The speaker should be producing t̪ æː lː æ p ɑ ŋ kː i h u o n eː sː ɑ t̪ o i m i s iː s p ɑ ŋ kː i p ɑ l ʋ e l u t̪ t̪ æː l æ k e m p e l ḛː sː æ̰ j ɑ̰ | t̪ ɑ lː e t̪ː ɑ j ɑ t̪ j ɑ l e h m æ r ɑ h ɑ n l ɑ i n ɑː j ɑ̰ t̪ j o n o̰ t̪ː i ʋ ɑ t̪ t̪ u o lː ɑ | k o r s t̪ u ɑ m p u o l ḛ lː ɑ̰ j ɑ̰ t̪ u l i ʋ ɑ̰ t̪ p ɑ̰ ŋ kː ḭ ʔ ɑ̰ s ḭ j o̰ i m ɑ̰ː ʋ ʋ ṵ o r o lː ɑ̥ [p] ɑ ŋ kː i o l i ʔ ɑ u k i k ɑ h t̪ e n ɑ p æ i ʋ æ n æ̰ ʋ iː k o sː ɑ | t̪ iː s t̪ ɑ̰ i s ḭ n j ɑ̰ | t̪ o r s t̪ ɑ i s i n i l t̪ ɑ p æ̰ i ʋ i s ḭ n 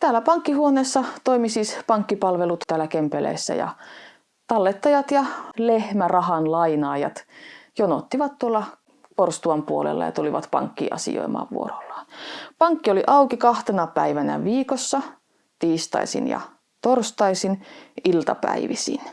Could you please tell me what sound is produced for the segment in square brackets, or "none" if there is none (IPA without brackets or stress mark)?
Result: p